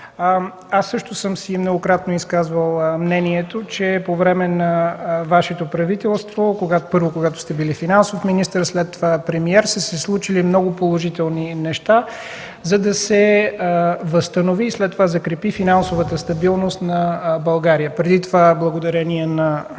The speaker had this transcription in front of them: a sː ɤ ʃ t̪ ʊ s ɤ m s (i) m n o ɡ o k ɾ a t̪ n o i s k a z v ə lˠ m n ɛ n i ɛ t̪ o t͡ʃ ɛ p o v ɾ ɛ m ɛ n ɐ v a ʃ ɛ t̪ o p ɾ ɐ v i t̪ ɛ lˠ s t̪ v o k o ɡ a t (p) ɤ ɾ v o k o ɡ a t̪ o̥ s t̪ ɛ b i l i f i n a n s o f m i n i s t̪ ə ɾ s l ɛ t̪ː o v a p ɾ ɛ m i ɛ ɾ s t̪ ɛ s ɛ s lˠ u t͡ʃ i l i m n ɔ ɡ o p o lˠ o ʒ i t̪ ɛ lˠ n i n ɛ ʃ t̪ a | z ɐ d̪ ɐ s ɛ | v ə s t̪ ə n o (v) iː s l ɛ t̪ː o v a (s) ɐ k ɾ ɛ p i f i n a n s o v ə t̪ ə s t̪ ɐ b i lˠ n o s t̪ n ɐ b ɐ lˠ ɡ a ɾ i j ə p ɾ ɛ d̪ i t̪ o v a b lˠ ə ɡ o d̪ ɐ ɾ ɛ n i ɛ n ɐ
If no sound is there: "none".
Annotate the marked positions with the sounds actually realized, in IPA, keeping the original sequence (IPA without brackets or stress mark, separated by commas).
i, p, v, z